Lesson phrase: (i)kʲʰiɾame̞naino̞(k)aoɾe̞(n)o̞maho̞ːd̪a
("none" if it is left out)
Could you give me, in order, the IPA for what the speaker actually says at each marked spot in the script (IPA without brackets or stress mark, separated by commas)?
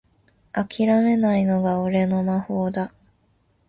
a, ɡ, n